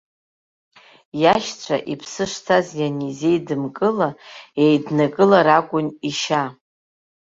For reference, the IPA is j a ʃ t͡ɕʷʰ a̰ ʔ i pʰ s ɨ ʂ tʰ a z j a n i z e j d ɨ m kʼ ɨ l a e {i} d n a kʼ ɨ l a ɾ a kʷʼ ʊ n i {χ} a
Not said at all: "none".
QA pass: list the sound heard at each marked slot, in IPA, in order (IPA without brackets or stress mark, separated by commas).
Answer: j, ʃ